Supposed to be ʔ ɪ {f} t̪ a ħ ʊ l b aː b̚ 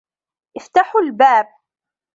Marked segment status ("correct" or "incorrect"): correct